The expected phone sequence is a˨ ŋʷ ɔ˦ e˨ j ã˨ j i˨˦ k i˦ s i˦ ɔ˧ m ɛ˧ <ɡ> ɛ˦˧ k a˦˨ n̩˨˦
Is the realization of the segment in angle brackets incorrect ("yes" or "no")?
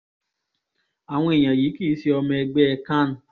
yes